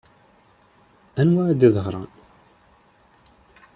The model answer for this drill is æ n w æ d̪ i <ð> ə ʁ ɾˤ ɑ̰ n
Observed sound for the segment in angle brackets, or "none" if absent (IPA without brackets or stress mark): ð